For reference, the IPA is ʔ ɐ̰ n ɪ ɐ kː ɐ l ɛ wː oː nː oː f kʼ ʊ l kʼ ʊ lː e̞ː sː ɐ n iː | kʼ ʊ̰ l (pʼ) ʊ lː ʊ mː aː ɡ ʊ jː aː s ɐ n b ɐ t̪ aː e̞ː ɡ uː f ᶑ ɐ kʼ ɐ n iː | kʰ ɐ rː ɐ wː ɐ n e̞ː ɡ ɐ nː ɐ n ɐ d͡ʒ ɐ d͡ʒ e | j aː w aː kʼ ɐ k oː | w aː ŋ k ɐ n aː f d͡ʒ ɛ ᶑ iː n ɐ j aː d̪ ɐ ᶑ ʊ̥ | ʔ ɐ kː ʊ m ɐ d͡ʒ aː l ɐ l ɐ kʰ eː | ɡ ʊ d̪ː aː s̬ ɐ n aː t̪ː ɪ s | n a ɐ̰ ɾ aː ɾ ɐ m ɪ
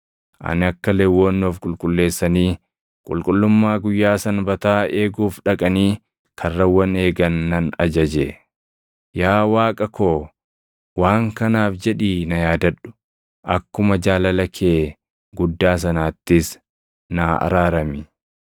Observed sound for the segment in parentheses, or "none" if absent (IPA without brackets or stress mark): kʼ